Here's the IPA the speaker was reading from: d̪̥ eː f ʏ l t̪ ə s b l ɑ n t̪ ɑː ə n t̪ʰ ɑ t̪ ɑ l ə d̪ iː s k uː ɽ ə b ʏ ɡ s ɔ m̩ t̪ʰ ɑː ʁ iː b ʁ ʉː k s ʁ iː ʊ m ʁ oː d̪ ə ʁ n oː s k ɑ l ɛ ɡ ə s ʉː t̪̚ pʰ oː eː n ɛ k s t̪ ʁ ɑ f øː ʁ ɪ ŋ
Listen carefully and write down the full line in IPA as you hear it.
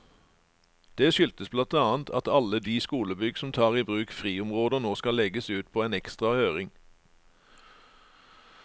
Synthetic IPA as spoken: d̪̥ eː ʃ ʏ l t̪ ə s b l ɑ n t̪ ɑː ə n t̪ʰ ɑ t̪ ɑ l ə d̪ iː s k uː l ə b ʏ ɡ s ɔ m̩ t̪ʰ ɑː ʁ iː b ʁ ʉː k f ʁ iː ʊ m ʁ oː d̪ ə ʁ n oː s k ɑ l ɛ ɡ ə s ʉː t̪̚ pʰ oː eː n ɛ k s t̪ ʁ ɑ h øː ʁ ɪ ŋ